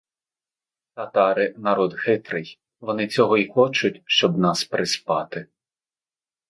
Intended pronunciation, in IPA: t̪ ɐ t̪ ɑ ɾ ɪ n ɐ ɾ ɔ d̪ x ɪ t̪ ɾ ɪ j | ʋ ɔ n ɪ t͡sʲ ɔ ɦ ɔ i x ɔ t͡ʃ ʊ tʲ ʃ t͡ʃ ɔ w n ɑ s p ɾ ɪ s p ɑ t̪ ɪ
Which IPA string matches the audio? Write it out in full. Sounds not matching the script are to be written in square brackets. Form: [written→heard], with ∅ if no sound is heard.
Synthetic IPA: t̪ ɐ t̪ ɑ ɾ ɪ n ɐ ɾ ɔ d̪ x ɪ t̪ ɾ ɪ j | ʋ ɔ n ɪ t͡sʲ ɔ ɦ ɔ i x ɔ t͡ʃ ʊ tʲ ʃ t͡ʃ ɔ [w→b] n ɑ s p ɾ ɪ s p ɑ t̪ ɪ